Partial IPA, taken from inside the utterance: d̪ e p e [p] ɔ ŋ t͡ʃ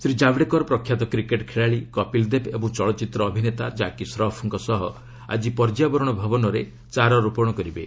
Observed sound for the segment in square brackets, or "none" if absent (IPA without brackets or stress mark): b